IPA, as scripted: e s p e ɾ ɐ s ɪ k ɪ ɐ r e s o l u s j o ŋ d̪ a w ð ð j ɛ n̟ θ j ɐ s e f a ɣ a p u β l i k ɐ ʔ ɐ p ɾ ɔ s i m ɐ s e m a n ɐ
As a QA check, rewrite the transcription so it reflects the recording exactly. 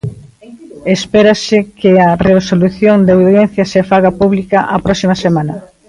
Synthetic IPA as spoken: e s p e ɾ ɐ s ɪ k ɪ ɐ r e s o l u θ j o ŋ d̪ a w ð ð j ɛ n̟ θ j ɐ s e f a ɣ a p u β l i k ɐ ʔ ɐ p ɾ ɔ s i m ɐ s e m a n ɐ